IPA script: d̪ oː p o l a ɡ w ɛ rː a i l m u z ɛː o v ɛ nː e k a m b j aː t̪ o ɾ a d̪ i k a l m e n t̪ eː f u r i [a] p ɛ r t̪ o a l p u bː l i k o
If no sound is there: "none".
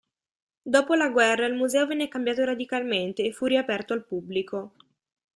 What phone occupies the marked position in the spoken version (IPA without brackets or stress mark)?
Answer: a